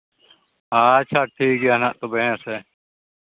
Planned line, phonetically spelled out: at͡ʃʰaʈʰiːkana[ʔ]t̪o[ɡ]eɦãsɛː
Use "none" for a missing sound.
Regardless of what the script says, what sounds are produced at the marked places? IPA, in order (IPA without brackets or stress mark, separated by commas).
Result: ʔ, b